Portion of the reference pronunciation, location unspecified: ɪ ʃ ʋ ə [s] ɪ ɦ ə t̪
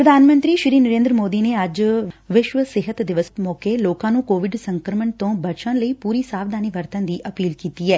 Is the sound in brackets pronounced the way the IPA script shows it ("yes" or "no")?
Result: yes